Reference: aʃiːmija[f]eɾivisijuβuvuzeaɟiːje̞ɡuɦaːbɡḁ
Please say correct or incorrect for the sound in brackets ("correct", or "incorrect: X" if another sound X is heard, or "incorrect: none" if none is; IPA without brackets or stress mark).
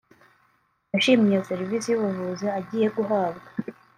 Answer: incorrect: s